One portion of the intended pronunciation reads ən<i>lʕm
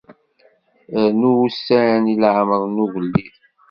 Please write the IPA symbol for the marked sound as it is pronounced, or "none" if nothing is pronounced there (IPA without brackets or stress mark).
i